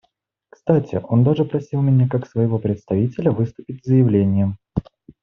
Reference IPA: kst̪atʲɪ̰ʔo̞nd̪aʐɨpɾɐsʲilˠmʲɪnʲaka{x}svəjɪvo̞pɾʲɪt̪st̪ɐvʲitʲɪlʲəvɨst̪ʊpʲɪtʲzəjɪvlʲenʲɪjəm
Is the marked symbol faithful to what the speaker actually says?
no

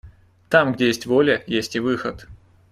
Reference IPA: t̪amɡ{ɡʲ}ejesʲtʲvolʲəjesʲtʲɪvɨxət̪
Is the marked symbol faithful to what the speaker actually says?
no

